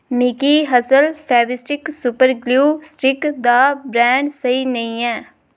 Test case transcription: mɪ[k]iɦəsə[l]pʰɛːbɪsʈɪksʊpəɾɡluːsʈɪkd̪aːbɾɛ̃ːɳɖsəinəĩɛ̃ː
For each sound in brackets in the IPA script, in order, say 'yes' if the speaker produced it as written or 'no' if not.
yes, yes

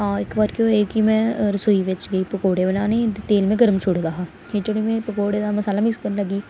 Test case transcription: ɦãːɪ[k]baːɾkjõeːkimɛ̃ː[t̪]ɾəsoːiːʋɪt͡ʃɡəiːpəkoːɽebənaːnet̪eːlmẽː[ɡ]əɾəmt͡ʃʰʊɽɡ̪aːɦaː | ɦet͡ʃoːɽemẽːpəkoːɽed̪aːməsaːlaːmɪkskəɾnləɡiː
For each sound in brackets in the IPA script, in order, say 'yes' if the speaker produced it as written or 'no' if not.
yes, no, yes

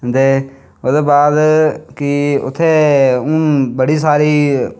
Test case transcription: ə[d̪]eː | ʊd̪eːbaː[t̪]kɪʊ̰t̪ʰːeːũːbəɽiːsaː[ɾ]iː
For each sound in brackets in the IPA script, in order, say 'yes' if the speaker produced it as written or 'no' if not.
yes, no, yes

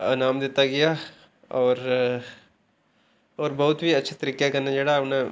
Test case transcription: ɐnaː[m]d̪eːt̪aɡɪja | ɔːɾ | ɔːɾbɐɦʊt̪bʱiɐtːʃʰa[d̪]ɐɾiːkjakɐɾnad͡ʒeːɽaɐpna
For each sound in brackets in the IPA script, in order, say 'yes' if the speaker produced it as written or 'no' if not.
yes, no

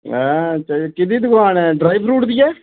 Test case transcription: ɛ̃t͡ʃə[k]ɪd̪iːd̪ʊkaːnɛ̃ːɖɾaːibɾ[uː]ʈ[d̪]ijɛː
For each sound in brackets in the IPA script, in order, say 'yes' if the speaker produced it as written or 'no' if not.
yes, yes, yes

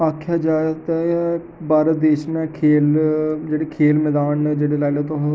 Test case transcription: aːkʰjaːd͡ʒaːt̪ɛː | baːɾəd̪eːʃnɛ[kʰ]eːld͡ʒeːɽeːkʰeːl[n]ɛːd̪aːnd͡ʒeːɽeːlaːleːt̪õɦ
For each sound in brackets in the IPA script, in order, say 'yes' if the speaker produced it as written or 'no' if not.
yes, no

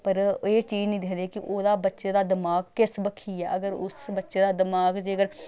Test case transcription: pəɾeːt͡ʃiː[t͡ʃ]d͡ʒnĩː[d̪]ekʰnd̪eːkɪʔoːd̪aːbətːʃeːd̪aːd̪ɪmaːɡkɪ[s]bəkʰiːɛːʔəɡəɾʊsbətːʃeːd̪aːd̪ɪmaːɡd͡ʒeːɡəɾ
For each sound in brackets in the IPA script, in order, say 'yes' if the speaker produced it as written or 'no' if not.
no, yes, yes

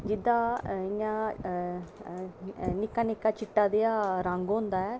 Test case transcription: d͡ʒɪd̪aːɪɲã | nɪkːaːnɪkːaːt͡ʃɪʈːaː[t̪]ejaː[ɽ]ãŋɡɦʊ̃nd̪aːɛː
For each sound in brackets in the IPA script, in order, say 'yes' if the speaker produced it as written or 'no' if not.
no, no

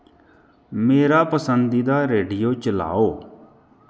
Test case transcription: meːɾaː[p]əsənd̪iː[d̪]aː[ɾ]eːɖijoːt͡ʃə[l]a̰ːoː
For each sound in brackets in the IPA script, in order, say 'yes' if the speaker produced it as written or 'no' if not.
yes, yes, yes, yes

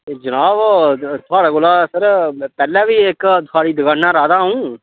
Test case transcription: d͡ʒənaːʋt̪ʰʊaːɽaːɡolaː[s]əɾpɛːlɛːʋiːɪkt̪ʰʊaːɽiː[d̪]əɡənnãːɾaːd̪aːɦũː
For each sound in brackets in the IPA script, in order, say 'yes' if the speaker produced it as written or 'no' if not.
yes, yes

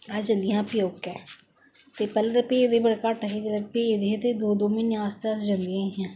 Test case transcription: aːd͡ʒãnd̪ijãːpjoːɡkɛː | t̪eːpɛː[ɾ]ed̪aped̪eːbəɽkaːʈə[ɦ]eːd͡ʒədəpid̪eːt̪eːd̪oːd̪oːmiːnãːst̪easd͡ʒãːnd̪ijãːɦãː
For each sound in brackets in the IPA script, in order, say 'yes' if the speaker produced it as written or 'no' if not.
no, yes

